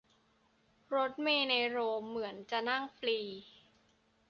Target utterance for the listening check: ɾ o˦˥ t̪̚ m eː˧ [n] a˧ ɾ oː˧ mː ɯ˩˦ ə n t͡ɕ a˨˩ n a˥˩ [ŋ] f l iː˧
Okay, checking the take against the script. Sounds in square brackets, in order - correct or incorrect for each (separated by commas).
correct, correct